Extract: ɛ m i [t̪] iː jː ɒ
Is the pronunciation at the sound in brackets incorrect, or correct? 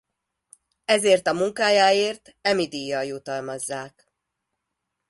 incorrect